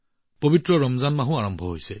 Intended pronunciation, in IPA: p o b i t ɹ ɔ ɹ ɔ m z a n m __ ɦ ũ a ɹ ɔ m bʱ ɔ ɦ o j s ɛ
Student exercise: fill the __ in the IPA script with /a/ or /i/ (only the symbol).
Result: a